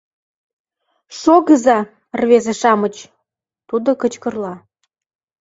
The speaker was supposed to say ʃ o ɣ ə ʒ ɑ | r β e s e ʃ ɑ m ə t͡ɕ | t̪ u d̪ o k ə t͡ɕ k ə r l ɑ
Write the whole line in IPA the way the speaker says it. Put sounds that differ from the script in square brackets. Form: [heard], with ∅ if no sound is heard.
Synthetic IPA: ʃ o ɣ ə [z] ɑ | r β e [z] e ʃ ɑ m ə t͡ɕ | t̪ u d̪ o k ə t͡ɕ k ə r l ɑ